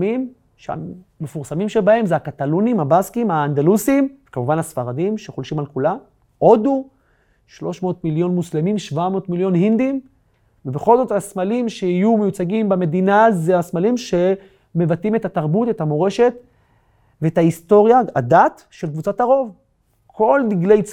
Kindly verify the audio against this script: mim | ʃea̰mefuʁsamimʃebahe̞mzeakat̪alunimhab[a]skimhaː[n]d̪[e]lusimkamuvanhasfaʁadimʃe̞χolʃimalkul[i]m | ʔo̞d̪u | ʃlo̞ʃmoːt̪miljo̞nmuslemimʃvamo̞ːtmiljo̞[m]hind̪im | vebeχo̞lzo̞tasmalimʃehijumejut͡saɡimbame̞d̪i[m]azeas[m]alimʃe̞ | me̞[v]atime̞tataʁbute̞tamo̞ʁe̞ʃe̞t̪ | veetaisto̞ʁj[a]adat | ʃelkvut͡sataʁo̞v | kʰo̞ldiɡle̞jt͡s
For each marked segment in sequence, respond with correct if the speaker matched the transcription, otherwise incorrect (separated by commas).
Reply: correct, correct, incorrect, incorrect, incorrect, incorrect, correct, correct, correct